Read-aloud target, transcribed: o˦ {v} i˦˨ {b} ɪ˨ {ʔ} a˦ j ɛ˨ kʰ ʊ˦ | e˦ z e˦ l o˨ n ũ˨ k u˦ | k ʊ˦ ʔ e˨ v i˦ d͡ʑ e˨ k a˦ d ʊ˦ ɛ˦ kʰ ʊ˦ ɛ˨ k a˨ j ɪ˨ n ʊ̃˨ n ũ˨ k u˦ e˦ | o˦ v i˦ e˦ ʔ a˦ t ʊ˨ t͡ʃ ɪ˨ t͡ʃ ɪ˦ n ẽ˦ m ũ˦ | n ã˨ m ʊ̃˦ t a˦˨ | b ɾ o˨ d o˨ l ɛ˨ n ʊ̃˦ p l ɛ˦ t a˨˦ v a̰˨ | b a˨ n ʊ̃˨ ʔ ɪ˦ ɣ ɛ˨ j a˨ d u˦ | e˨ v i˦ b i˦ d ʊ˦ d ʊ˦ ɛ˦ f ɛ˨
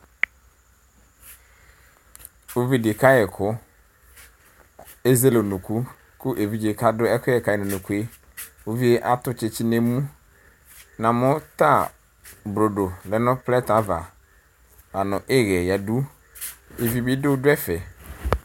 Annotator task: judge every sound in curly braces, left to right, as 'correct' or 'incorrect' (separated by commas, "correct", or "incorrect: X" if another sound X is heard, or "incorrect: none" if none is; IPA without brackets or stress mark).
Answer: correct, incorrect: d, incorrect: k